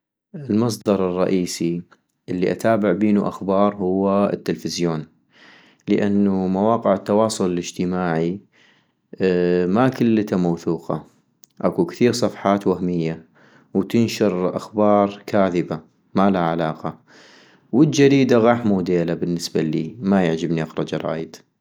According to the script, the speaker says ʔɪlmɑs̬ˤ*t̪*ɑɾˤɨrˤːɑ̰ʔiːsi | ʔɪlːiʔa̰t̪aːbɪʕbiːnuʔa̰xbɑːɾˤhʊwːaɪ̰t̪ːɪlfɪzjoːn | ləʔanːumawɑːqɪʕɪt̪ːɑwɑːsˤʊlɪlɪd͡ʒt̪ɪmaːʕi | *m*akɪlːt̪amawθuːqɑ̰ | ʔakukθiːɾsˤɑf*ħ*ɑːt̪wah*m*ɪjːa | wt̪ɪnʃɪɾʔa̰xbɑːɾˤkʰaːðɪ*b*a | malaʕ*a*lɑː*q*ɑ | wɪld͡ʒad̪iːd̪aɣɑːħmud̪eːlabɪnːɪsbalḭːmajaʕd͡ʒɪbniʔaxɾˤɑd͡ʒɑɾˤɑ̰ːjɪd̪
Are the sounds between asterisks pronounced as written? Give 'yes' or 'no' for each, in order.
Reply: no, yes, yes, yes, yes, yes, yes

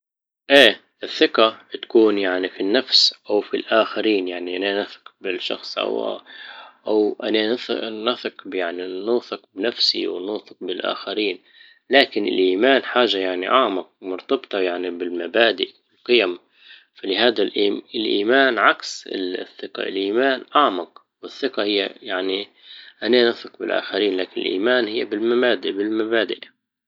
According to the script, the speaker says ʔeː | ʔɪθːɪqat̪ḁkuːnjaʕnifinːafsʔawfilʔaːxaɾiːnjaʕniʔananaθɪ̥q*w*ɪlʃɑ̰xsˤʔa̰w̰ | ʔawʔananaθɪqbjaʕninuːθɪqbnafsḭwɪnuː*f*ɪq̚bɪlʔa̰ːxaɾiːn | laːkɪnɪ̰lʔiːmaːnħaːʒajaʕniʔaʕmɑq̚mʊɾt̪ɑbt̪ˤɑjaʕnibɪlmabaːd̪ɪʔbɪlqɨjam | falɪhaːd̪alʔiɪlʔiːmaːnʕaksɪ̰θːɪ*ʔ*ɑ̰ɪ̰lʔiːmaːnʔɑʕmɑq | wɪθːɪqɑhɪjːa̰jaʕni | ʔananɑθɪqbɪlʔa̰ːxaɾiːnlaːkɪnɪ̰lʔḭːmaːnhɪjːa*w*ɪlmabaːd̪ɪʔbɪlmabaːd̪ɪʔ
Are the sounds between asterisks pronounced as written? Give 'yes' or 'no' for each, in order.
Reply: no, no, no, no

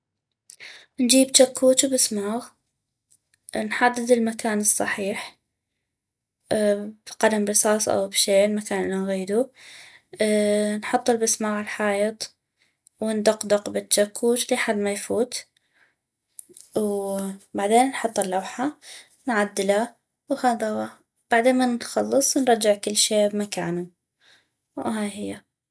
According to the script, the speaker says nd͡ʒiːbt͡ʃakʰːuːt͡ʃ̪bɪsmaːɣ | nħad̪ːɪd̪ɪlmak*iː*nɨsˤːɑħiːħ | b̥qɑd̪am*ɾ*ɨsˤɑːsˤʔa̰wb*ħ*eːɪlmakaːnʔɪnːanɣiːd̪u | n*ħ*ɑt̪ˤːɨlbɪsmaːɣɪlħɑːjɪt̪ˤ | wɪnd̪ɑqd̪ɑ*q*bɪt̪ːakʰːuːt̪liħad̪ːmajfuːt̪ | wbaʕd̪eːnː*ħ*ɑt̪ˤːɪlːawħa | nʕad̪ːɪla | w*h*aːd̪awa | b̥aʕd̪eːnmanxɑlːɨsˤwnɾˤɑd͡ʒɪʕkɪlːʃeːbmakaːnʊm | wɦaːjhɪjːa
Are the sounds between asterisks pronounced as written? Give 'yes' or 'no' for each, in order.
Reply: no, yes, no, yes, yes, yes, yes

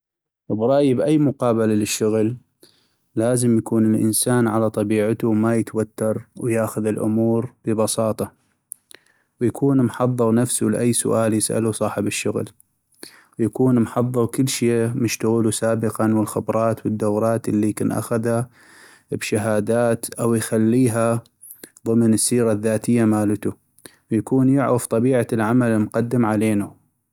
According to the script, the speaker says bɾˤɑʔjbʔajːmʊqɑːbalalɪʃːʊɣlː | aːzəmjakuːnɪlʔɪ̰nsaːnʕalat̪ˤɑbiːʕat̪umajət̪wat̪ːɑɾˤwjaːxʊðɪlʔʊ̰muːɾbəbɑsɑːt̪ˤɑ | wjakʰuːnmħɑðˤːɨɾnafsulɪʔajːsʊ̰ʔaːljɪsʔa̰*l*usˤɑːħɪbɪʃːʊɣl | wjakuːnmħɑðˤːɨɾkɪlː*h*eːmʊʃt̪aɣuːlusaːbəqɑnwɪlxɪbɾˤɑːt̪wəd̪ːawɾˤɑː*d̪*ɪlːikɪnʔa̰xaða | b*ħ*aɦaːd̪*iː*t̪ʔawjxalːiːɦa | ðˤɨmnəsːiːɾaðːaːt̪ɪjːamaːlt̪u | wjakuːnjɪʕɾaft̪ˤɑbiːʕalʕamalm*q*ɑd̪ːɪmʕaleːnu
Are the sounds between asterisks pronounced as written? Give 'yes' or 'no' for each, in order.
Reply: yes, no, no, no, no, yes

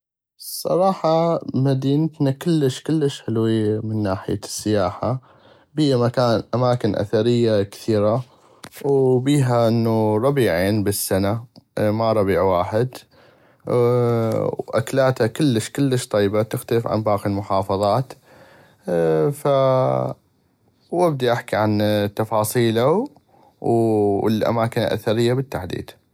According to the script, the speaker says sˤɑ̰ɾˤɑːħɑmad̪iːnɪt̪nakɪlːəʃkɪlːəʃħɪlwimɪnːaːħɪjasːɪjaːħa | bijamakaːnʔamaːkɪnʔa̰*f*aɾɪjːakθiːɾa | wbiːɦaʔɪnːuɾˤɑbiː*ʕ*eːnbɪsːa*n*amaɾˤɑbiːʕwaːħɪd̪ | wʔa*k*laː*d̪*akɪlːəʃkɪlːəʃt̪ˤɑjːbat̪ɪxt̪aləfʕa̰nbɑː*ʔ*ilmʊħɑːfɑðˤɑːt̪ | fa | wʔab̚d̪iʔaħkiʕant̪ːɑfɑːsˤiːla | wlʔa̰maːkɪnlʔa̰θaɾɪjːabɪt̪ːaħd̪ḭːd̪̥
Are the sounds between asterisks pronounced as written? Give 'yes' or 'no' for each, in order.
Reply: no, yes, yes, yes, no, no

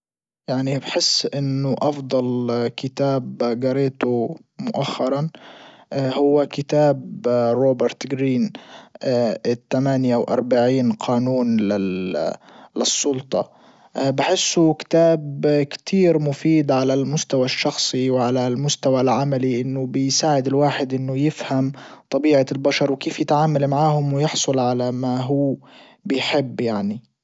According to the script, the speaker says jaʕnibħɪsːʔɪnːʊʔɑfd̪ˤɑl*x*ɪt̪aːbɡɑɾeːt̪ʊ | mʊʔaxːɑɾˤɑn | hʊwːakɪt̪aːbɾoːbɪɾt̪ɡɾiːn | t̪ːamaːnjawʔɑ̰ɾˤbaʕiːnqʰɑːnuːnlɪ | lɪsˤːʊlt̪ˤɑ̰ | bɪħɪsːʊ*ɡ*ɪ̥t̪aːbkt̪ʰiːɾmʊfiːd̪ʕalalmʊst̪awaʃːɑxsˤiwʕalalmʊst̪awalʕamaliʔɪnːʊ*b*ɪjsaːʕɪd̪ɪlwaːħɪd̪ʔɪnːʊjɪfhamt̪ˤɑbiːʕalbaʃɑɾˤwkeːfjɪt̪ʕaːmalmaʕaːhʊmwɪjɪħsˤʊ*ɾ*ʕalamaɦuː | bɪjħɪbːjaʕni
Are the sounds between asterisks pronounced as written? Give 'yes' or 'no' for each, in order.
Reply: no, no, yes, no

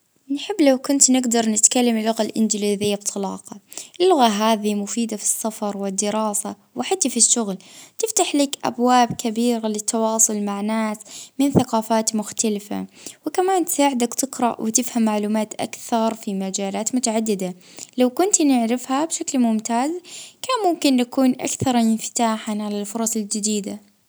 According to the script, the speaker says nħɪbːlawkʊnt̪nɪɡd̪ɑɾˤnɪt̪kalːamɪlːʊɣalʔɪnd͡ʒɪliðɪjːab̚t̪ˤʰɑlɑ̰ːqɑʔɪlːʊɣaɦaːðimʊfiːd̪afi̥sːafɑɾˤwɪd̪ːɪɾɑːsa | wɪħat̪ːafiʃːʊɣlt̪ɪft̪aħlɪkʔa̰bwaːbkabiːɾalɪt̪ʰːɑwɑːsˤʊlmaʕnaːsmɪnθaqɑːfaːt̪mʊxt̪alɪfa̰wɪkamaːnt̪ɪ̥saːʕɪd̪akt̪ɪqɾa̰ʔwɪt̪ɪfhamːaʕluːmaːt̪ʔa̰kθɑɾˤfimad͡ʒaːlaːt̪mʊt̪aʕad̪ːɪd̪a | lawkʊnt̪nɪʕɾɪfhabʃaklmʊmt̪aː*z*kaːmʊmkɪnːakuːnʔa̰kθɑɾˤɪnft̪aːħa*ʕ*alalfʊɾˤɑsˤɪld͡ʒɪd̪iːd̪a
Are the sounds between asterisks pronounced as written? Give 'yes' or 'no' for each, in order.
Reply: yes, yes

